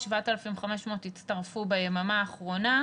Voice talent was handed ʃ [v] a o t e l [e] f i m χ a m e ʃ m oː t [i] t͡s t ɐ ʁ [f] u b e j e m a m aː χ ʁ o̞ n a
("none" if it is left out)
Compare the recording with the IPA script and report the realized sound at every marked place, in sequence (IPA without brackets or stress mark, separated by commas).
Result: v, a, i, f